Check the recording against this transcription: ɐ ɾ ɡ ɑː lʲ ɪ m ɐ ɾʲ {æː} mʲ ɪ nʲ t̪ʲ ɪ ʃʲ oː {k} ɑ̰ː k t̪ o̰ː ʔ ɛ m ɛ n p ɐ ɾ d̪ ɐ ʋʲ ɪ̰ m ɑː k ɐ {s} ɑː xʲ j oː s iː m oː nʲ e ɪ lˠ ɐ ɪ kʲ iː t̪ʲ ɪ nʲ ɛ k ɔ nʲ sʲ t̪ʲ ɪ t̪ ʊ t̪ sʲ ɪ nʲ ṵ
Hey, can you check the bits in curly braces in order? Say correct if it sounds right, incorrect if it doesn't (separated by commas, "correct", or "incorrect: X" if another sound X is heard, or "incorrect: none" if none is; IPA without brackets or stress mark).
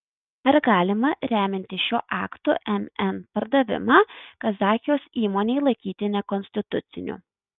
correct, incorrect: ʔ, incorrect: z